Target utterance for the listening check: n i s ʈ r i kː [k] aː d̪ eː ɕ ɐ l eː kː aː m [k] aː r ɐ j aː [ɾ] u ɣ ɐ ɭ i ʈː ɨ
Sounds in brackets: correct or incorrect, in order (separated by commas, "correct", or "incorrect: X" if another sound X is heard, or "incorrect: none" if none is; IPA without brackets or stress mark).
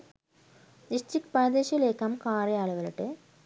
incorrect: p, correct, incorrect: ɭ